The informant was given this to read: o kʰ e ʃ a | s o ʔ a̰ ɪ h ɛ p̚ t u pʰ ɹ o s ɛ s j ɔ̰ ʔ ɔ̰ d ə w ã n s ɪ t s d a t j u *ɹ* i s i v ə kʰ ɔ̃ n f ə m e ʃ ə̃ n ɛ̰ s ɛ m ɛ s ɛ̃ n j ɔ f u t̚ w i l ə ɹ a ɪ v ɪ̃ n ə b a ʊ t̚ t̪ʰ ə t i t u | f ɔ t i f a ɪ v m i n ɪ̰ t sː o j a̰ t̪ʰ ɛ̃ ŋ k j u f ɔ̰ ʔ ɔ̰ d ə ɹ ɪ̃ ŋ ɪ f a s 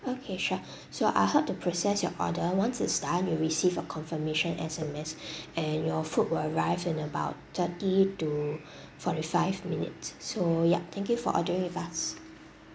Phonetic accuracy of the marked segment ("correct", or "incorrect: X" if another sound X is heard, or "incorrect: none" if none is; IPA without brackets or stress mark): correct